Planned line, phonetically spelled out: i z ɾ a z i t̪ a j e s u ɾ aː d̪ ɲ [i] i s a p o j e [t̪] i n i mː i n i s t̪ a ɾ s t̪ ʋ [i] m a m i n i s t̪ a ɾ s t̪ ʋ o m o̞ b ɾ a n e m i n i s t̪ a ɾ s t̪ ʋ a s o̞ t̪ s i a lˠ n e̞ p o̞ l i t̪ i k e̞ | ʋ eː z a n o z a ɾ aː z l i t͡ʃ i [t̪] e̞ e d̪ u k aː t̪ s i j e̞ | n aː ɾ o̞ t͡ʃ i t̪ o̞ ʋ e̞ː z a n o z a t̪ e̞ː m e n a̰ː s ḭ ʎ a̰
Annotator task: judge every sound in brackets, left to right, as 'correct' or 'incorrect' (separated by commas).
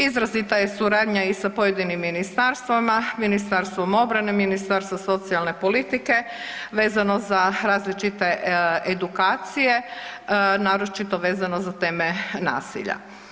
incorrect, incorrect, incorrect, correct